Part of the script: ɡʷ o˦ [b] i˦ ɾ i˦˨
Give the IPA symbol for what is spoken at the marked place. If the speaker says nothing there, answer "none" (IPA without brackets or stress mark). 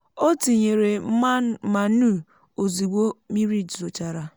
m